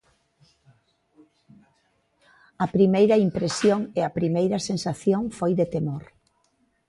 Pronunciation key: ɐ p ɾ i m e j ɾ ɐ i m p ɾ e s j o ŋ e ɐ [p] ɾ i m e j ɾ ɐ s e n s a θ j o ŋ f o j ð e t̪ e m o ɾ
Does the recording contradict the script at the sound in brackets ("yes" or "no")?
no